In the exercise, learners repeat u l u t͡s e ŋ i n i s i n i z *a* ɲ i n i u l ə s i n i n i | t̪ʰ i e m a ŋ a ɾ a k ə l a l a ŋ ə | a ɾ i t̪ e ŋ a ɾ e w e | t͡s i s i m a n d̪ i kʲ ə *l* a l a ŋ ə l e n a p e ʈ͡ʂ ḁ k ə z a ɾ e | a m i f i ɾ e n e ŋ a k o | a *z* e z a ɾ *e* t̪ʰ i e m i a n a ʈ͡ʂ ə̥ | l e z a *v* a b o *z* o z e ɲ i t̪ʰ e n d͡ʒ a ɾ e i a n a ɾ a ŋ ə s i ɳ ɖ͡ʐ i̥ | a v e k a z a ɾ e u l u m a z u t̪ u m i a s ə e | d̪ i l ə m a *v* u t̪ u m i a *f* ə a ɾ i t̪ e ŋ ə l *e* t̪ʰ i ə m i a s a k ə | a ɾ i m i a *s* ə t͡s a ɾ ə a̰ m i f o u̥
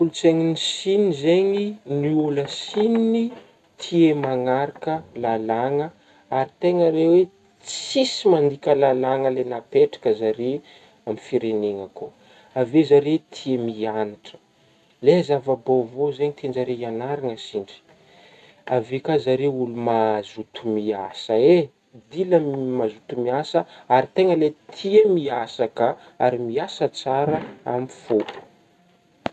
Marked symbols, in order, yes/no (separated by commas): no, yes, no, yes, yes, no, no, no, yes, yes